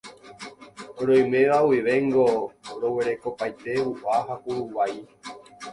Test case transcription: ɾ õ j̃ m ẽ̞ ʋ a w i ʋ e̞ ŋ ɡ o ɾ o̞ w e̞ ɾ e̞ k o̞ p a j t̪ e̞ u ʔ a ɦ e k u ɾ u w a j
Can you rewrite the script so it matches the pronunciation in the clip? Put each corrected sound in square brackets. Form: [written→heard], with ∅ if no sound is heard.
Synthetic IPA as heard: ɾ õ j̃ m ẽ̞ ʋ a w i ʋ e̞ ŋ ɡ o ɾ o̞ w e̞ ɾ e̞ k o̞ p a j t̪ e̞ u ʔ a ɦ [e→a] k u ɾ u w a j